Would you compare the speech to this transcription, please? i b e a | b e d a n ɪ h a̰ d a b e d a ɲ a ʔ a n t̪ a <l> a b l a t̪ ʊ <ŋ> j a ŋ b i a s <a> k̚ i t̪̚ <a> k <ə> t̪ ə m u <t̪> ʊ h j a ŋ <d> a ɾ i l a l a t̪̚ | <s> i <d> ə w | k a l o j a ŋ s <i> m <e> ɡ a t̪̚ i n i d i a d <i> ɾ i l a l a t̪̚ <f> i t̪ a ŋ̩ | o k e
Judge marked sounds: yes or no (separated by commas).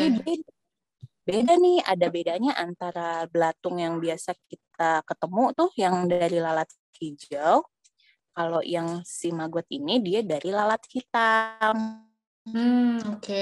no, yes, yes, yes, yes, yes, yes, no, no, yes, no, no, no